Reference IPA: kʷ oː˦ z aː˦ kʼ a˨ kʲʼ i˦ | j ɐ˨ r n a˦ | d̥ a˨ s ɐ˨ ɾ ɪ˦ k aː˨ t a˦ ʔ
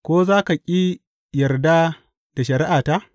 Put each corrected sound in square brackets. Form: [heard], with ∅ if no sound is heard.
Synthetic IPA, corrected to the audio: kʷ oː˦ z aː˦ [k] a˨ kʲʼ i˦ | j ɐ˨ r [d] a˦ | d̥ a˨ [ʃ] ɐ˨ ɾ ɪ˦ [ʔ] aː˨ t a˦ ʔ